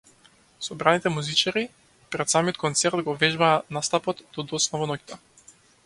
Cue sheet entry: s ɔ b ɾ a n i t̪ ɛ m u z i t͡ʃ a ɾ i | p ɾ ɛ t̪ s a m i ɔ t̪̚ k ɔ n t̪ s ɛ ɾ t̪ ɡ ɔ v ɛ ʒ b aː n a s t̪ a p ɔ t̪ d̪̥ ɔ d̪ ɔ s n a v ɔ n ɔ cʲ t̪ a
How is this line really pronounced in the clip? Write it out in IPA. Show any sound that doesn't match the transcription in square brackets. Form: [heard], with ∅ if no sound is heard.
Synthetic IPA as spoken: s ɔ b ɾ a n i t̪ ɛ m u z i t͡ʃ a ɾ i | p ɾ ɛ t̪ s a m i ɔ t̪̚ k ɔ n t̪ s ɛ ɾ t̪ ɡ ɔ v ɛ ʒ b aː n a s t̪ a p ɔ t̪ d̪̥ ɔ d̪ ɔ s n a v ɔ n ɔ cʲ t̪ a